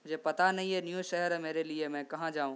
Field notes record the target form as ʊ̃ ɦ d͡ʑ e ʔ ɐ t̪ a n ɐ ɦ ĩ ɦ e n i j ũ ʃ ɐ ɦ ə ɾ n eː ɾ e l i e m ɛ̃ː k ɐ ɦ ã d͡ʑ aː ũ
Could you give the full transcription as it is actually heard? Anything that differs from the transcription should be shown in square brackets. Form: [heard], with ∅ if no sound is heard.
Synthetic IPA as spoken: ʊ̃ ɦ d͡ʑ e [p] ɐ t̪ a n ɐ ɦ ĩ ɦ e n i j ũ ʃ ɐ ɦ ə ɾ [m] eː ɾ e l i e m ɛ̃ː k ɐ ɦ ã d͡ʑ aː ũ